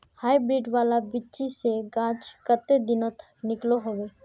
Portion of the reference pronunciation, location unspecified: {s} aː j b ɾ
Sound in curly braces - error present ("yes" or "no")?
yes